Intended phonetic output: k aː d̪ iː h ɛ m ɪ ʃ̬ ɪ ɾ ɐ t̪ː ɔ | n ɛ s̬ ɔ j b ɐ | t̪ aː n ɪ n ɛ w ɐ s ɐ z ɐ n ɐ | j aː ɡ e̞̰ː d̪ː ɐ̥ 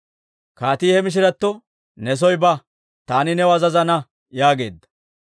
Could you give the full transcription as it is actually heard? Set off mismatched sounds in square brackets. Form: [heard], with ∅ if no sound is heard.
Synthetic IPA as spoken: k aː [t̪] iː h ɛ m ɪ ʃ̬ ɪ ɾ ɐ t̪ː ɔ | n ɛ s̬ ɔ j b ɐ | t̪ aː n ɪ n ɛ w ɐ [z] ɐ z ɐ n ɐ | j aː ɡ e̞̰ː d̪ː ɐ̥